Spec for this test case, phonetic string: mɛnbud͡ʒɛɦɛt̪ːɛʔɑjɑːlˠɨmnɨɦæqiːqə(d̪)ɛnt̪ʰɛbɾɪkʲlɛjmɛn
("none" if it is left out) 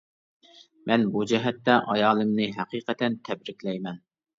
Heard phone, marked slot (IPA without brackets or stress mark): t̪